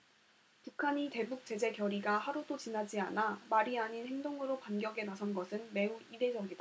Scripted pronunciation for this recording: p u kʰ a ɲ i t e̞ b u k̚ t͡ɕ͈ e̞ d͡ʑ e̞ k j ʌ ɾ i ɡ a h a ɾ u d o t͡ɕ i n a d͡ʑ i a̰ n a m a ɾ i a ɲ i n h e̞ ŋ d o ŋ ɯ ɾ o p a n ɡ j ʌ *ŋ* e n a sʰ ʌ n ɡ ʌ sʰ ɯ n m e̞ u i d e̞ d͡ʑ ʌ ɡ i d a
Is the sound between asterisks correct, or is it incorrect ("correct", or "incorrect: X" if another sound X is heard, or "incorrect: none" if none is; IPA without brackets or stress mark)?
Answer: incorrect: ɡ